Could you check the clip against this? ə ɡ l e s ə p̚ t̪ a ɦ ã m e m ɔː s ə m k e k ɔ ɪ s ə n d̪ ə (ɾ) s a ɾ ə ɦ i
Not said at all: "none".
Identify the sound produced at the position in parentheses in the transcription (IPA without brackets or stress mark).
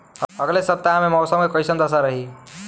none